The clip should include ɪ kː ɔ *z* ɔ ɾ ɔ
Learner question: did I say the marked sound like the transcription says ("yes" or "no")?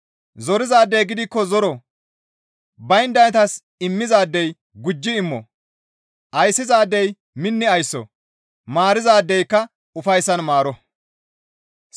yes